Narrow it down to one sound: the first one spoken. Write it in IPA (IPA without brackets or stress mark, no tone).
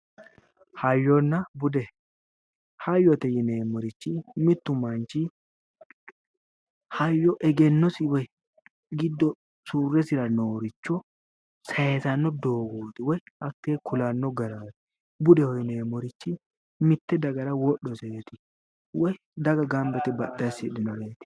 h